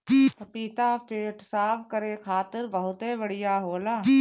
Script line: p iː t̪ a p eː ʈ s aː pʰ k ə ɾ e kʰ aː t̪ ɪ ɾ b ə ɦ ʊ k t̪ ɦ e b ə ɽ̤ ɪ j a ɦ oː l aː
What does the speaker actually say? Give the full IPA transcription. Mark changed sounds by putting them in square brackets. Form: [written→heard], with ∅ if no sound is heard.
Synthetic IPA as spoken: p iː t̪ a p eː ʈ s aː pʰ k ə ɾ e kʰ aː t̪ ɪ ɾ b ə ɦ ʊ [k→∅] t̪ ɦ e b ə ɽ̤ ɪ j a ɦ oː l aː